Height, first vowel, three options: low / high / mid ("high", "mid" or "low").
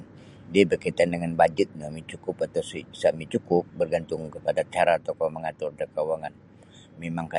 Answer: high